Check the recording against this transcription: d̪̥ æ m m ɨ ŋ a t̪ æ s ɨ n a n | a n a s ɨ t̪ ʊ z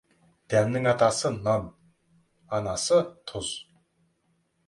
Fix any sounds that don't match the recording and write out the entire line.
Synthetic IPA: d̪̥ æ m n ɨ ŋ a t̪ a s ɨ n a n | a n a s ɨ t̪ʰ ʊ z